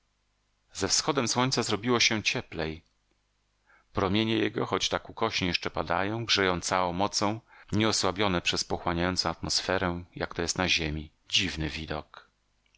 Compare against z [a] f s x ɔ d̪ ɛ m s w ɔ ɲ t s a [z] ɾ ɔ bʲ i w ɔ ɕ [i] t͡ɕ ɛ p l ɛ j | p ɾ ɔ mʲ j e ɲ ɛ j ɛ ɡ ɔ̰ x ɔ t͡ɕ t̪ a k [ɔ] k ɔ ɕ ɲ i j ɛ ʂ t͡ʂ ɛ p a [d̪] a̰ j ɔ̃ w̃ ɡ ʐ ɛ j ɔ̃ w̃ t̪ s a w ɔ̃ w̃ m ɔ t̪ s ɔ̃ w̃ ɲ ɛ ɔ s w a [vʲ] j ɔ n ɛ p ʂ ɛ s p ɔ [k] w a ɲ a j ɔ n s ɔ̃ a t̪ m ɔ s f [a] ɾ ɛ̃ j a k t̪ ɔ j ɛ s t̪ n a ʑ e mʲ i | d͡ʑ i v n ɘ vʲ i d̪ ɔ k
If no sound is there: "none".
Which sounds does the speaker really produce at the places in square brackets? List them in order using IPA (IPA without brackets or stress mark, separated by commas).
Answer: ɛ, z, ɛ, u, d̪, bʲ, x, ɛ